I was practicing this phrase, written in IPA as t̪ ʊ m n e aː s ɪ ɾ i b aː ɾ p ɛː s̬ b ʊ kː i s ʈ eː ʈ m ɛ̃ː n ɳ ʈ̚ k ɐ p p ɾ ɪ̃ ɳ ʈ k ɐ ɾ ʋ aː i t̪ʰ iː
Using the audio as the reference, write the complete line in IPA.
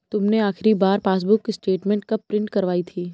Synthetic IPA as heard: t̪ ʊ m n e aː x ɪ ɾ i b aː ɾ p aː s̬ b ʊ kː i s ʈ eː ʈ m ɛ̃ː ɳ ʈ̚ k ɐ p p ɾ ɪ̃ ɳ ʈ k ɐ ɾ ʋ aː i t̪ʰ iː